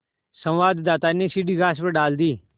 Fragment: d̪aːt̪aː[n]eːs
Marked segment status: correct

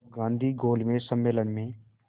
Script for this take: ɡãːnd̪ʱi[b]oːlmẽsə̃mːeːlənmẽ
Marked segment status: incorrect: ɡ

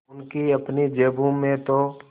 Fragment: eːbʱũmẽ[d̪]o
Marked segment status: incorrect: t̪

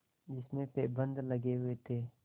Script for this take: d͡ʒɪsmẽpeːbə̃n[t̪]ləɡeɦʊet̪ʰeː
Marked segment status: incorrect: d̪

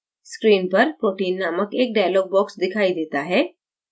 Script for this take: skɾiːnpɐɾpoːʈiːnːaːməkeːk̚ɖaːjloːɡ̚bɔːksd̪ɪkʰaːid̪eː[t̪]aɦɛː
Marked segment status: correct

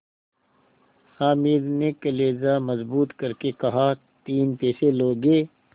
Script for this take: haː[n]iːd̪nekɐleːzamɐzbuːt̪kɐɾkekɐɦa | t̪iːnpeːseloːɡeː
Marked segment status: incorrect: m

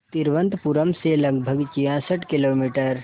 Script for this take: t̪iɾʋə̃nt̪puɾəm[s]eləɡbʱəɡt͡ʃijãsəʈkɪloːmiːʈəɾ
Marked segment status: correct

